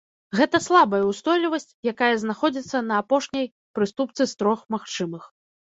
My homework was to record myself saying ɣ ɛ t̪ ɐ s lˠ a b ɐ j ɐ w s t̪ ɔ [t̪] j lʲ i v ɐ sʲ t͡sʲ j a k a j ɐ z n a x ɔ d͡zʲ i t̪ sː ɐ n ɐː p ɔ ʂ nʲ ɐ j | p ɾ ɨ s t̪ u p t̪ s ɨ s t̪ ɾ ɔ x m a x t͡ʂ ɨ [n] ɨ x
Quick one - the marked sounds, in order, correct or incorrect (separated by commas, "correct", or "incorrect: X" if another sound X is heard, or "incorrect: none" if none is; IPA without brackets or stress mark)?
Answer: incorrect: none, incorrect: m